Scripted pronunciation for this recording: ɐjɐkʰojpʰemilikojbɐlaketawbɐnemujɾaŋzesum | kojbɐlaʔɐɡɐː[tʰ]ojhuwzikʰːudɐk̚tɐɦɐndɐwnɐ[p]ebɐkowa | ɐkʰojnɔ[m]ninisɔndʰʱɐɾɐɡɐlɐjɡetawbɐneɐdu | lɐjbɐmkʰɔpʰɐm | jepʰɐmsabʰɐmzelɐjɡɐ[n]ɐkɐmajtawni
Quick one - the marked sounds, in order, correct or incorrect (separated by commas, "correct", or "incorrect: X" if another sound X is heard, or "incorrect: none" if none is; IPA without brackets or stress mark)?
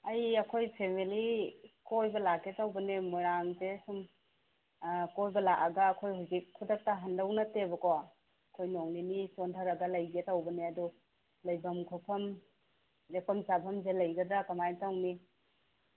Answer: incorrect: kʰ, incorrect: t, incorrect: ŋ, incorrect: d